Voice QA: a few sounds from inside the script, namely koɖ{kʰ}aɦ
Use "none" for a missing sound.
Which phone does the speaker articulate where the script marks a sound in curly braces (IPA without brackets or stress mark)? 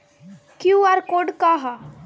k